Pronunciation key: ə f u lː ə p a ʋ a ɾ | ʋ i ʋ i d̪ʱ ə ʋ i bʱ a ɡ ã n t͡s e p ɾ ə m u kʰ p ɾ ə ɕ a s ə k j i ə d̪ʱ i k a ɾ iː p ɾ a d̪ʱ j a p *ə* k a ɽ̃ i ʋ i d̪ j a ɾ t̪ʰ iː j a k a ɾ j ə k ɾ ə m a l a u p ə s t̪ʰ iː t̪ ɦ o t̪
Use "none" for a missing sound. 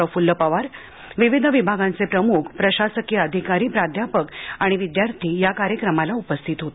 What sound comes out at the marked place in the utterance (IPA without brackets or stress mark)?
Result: ə